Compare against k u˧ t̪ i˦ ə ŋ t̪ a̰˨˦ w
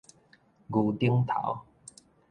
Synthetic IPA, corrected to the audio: ɡ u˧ t̪ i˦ ə ŋ t̪ʰ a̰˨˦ w